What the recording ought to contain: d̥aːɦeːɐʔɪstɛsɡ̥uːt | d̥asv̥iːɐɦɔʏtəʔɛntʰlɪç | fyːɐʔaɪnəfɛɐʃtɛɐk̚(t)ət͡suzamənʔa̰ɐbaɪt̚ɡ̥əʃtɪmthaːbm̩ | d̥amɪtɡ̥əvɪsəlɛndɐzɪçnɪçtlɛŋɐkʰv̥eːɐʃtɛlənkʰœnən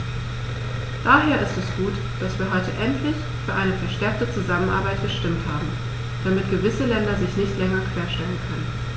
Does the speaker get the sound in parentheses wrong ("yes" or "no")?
no